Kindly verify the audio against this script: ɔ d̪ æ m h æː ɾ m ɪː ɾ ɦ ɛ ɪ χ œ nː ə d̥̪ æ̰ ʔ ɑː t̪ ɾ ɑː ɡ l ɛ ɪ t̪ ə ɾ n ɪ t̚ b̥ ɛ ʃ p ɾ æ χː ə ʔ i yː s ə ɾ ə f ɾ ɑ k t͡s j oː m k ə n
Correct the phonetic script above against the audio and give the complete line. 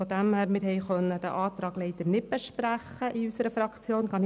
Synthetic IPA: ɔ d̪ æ m h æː ɾ m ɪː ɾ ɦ ɛ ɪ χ œ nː ə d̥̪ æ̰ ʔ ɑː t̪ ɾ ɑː ɡ l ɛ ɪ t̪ ə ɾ n ɪ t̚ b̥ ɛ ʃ p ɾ æ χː ə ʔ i y s ə ɾ ə f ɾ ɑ k t͡s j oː n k ɑ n